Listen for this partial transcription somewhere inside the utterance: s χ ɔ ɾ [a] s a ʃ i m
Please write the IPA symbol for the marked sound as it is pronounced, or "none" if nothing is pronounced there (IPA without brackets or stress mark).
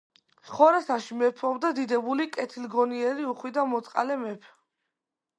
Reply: a